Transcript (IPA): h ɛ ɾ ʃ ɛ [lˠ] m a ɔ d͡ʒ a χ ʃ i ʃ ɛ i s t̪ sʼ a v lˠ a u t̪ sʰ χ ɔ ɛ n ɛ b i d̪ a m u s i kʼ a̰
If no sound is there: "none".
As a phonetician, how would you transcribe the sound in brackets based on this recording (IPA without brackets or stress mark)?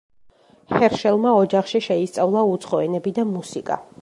lˠ